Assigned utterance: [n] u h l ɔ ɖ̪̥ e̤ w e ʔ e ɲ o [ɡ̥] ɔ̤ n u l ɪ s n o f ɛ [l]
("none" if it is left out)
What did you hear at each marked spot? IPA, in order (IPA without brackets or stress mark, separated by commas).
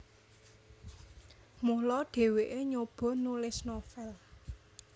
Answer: m, b̥, l